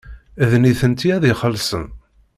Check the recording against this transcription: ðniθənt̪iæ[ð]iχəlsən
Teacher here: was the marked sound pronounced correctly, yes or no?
yes